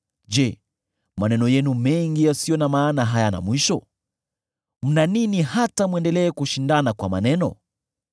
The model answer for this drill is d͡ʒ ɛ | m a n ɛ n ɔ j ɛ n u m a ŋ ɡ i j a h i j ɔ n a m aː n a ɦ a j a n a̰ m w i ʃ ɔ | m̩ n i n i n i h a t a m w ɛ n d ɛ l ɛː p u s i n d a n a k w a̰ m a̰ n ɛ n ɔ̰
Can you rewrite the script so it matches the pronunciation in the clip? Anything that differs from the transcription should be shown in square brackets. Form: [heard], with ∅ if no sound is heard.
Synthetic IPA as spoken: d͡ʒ ɛ | m a n ɛ n ɔ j ɛ n u m [ɛ] ŋ ɡ i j a [s] i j ɔ n a m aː n a ɦ a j a n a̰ m w i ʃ ɔ | m̩ n [a] n i n i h a t a m w ɛ n d ɛ l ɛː [k] u [ʃ] i n d a n a k w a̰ m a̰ n ɛ n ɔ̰